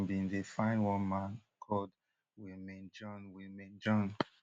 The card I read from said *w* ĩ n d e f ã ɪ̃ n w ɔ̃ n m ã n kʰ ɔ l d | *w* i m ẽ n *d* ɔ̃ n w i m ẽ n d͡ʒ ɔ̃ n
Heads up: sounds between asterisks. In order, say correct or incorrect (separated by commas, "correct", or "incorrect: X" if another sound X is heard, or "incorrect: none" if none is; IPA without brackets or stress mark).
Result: incorrect: b, correct, incorrect: d͡ʒ